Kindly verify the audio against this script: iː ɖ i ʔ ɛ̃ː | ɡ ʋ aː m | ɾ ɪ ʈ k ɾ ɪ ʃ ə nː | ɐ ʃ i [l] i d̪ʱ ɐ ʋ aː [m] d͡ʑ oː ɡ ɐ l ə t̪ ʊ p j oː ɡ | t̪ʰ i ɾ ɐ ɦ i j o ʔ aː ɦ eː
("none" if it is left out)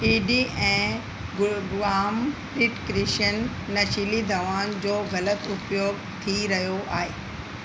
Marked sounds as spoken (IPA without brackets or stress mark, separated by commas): l, n